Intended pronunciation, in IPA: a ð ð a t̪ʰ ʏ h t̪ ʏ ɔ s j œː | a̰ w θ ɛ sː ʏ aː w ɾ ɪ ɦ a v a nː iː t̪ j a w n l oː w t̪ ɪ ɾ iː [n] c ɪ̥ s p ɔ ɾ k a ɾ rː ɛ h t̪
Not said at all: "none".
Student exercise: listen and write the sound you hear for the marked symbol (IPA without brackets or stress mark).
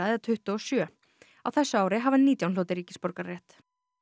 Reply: none